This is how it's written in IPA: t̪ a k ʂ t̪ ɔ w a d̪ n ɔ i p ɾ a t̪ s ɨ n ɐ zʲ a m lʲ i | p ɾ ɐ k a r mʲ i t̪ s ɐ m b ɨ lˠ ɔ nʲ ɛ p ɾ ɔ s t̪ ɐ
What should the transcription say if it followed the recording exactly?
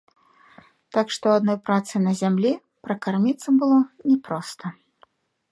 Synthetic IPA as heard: t̪ a k ʂ t̪ ɔ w a d̪ n ɔ j p ɾ a t̪ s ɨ n ɐ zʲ a m lʲ i | p ɾ ɐ k a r mʲ i t̪ s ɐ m b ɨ lˠ ɔ nʲ ɛ p ɾ ɔ s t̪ ɐ